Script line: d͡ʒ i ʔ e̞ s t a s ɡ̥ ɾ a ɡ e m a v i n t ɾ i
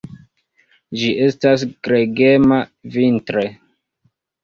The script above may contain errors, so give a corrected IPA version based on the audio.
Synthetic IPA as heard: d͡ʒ i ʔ e̞ s t a s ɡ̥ ɾ e ɡ e m a v i n t ɾ e